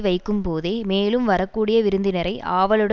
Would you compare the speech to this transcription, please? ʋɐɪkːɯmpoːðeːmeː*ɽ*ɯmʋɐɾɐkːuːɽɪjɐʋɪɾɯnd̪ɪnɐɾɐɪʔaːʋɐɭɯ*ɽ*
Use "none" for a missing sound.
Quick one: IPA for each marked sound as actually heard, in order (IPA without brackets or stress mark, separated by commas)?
l, ɽ